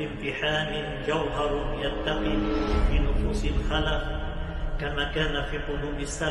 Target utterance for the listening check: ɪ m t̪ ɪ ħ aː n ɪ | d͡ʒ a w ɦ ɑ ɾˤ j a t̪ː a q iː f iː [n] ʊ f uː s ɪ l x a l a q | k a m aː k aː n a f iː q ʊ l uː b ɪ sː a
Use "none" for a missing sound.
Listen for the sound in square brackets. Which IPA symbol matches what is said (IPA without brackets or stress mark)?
n